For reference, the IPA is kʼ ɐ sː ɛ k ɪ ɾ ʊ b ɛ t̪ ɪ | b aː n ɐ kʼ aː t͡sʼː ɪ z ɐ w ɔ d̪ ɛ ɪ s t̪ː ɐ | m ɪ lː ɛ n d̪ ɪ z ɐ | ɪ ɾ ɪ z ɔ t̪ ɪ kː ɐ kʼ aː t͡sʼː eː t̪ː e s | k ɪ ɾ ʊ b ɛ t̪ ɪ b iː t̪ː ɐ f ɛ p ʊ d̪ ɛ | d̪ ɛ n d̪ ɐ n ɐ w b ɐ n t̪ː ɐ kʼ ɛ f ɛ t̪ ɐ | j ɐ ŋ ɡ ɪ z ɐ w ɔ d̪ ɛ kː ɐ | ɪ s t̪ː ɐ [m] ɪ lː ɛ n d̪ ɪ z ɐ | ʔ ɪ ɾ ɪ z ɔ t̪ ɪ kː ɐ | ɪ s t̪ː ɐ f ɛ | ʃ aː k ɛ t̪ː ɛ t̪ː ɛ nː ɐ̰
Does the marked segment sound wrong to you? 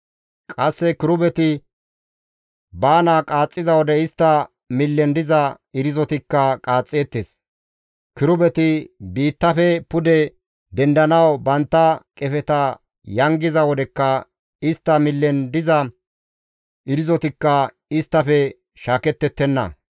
no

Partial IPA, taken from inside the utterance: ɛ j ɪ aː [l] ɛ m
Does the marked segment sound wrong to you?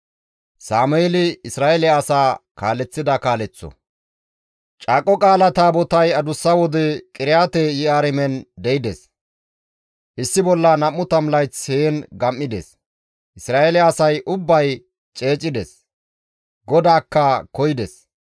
yes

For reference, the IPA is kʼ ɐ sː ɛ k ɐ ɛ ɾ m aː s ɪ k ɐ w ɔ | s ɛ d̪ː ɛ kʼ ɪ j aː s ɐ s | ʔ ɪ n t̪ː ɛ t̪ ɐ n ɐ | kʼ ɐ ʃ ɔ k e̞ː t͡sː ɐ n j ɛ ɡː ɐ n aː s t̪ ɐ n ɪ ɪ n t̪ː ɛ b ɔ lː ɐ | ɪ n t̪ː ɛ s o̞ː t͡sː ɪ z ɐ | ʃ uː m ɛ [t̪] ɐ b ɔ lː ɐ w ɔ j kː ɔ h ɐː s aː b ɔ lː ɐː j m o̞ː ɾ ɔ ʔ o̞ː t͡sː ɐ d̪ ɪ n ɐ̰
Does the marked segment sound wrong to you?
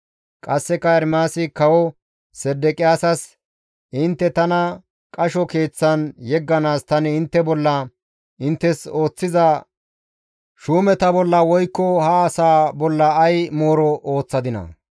no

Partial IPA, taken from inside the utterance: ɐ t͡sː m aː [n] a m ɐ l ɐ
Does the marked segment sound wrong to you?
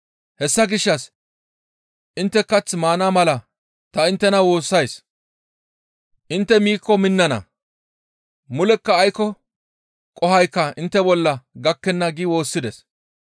no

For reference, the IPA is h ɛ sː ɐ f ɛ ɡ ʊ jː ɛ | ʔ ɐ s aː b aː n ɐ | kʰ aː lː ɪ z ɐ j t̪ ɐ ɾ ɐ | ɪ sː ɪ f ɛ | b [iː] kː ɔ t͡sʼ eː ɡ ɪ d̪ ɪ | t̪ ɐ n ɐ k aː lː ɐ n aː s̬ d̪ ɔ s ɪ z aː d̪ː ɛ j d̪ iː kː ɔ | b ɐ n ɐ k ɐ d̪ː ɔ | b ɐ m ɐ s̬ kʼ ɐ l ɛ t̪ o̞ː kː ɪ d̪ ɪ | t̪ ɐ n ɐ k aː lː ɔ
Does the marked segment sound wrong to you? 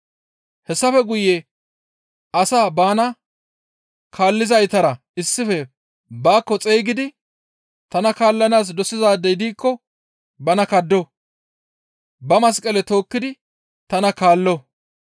yes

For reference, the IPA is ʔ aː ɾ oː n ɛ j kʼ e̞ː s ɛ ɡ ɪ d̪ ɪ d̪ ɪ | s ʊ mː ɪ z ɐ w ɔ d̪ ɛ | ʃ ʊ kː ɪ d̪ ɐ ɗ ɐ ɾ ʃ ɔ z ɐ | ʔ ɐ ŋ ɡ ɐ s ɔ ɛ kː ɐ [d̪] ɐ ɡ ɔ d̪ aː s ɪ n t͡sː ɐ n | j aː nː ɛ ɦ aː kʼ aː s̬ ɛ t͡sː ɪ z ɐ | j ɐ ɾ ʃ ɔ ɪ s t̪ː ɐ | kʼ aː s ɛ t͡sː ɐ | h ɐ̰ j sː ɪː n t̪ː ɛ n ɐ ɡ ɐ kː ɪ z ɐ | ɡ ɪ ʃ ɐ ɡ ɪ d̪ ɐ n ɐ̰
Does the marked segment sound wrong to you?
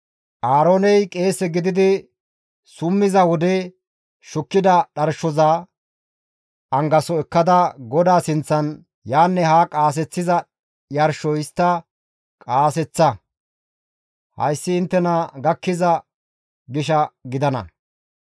no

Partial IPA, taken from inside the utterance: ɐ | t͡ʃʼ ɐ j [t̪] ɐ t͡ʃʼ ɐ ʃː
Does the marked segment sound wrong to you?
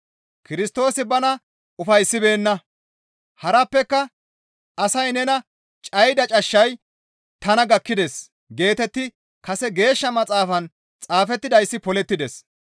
yes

